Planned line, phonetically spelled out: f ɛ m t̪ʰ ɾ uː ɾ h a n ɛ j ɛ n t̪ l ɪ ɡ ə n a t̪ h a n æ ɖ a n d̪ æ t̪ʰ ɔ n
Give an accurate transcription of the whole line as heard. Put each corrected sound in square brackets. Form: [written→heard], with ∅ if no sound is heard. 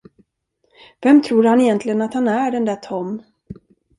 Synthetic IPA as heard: [f→v] ɛ m t̪ʰ ɾ uː ɾ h a n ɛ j ɛ n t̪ l ɪ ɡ ə n a t̪ h a n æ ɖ [a→ɛ] n d̪ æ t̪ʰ ɔ [n→m]